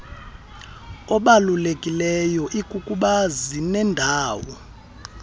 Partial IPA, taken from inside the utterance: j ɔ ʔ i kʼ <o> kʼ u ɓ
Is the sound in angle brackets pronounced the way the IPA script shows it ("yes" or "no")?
no